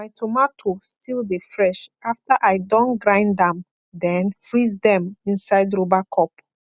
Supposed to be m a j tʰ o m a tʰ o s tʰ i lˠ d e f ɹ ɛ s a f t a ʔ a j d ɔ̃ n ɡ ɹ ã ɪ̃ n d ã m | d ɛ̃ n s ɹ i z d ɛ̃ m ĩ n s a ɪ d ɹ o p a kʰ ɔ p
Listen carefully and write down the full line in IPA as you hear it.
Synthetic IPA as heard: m a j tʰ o m a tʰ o s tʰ i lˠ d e f ɹ ɛ ʃ a f t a ʔ a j d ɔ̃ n ɡ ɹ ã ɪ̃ n d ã m | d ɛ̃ n f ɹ i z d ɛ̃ m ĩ n s a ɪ d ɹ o b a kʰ ɔ p